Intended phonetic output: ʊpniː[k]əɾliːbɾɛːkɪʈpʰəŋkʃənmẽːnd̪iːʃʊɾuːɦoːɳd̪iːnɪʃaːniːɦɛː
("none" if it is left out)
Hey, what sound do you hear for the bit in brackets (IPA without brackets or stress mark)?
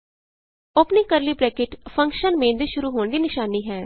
k